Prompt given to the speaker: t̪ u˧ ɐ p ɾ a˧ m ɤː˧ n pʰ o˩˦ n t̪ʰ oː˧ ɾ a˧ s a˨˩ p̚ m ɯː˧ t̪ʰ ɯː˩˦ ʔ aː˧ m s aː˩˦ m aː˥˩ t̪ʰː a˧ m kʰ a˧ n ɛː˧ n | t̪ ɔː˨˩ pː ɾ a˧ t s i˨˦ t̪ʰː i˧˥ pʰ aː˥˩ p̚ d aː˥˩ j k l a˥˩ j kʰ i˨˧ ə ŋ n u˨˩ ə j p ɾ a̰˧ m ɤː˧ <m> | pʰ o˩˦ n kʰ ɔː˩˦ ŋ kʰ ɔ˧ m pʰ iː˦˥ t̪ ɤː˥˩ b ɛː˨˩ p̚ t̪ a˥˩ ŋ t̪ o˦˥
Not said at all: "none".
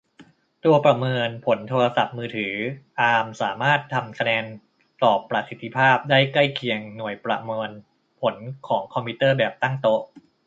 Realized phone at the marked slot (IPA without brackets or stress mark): n